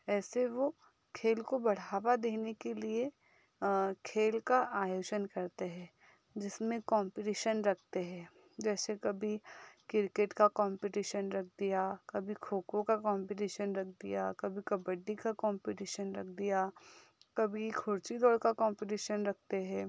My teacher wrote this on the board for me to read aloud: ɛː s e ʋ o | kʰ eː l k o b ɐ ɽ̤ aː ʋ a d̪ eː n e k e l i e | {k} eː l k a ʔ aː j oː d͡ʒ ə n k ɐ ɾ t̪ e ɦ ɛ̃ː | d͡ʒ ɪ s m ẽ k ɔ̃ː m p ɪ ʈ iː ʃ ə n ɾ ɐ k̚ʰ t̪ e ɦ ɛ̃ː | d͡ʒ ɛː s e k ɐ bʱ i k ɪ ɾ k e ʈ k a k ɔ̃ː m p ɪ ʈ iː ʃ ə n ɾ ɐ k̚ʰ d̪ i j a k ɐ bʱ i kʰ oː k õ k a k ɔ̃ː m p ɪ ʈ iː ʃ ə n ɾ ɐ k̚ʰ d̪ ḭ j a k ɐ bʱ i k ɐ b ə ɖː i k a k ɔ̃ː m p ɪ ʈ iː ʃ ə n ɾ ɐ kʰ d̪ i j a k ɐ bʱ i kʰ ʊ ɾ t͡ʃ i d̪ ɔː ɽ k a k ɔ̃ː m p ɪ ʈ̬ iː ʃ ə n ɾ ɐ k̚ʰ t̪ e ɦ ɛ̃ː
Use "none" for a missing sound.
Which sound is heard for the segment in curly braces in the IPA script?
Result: kʰ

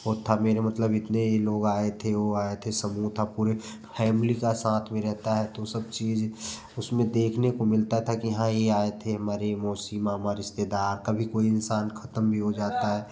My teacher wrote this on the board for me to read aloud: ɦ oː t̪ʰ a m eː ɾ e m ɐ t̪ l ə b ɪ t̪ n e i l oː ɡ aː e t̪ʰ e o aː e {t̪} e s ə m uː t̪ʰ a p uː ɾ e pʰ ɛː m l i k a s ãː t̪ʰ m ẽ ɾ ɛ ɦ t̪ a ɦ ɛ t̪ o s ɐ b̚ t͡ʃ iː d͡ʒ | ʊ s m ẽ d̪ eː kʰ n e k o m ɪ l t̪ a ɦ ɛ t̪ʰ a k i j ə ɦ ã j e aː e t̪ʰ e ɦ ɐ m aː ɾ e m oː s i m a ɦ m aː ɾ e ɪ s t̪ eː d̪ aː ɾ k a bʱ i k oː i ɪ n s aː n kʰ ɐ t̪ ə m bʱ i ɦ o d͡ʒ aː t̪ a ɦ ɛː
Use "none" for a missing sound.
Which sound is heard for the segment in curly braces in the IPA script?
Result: t̪ʰ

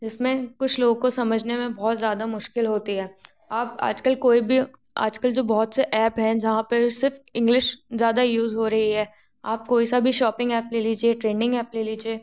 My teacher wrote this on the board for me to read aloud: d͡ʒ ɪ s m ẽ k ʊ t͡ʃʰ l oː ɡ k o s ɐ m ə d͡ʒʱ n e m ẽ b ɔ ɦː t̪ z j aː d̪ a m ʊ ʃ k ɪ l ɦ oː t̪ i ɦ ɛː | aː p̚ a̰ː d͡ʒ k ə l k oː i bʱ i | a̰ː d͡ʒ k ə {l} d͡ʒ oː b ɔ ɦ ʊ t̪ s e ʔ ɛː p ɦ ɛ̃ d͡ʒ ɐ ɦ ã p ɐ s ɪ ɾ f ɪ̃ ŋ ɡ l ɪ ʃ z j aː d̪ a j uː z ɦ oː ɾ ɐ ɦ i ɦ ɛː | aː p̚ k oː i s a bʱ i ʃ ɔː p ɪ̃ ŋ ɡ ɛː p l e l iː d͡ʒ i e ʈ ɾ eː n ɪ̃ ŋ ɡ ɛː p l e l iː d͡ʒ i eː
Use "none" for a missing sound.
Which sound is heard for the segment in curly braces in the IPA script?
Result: l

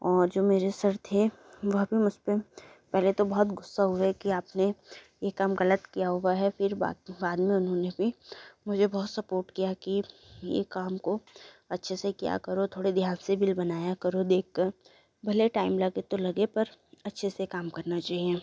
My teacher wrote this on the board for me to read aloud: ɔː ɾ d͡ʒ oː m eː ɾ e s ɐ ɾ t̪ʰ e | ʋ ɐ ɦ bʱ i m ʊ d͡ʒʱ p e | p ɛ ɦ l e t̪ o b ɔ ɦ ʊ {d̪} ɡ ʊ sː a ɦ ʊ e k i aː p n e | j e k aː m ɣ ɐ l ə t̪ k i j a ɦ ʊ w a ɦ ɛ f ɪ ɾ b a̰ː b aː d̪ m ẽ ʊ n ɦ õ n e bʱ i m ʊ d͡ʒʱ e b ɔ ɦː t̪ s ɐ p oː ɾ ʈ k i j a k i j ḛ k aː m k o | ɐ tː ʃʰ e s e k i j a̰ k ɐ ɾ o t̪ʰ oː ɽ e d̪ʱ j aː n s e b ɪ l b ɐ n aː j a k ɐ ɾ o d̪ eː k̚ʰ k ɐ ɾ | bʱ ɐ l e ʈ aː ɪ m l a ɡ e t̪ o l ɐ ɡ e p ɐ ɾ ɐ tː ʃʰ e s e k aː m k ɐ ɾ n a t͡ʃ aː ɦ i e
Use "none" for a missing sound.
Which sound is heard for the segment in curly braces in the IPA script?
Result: t̪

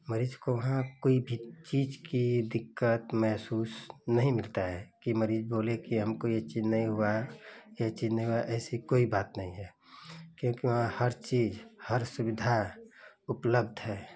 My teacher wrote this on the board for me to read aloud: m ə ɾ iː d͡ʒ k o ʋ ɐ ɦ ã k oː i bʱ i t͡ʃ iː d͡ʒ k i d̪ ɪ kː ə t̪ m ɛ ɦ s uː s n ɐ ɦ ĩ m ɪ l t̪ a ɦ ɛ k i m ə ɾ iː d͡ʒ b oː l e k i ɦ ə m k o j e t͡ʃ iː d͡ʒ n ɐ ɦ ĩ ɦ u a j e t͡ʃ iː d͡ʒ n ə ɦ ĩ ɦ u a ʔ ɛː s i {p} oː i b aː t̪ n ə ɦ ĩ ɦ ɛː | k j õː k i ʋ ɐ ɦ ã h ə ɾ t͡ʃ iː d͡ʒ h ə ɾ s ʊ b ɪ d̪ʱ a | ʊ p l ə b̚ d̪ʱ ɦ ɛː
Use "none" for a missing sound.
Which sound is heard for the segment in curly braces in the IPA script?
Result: k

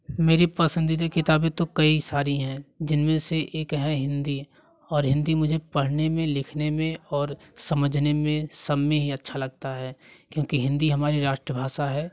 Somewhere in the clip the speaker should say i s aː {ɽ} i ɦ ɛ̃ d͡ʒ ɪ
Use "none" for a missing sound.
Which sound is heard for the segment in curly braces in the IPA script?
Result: ɾ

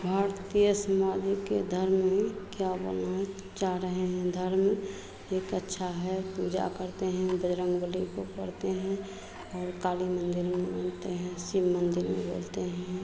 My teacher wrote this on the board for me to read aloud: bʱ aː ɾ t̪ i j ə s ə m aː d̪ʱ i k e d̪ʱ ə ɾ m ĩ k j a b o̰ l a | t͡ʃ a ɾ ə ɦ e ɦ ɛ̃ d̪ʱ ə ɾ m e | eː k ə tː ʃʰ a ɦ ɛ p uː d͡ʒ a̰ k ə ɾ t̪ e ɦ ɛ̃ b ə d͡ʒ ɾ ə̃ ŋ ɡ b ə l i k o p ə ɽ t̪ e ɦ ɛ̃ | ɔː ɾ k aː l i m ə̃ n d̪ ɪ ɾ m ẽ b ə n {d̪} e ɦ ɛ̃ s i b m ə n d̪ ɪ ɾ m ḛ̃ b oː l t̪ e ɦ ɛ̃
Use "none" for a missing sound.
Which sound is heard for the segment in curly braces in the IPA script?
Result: t̪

